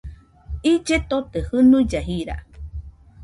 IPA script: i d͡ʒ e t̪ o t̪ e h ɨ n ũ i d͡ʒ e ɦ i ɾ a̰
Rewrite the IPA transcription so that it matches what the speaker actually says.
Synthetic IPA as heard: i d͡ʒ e t̪ o t̪ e h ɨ n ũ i d͡ʒ a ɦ i ɾ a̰